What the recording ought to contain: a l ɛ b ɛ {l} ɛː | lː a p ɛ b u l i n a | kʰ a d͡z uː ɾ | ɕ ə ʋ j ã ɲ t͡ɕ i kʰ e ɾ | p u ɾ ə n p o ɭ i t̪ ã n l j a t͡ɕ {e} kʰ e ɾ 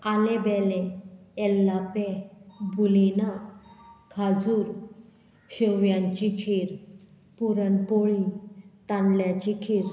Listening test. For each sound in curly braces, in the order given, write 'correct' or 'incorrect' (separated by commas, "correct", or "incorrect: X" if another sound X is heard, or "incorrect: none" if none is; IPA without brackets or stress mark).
correct, incorrect: i